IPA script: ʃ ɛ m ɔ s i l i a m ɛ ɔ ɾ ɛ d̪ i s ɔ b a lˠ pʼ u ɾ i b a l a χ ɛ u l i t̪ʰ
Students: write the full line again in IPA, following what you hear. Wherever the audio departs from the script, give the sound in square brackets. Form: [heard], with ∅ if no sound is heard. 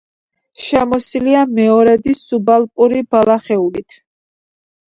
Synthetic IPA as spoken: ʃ ɛ m ɔ s i l i a m ɛ ɔ ɾ ɛ d̪ i s [u] b a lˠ pʼ u ɾ i b a l a χ ɛ u l i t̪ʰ